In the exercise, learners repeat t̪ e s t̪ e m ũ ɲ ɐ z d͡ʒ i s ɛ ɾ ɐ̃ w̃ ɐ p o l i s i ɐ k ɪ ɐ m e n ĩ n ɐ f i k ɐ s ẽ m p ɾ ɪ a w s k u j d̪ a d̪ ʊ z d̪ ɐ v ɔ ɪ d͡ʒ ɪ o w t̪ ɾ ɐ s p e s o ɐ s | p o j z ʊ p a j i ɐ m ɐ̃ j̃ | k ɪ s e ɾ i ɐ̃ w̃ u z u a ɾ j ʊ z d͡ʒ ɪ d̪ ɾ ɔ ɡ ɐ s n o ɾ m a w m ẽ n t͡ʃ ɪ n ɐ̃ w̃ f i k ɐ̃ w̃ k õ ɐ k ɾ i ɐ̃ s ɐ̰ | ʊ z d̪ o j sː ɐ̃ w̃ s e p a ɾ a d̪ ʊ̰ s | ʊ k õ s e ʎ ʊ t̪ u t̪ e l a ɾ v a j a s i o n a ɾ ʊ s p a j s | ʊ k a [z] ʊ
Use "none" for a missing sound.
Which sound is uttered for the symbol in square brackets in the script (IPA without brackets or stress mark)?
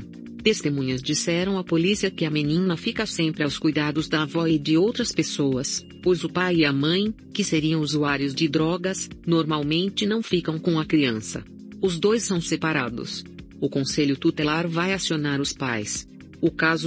z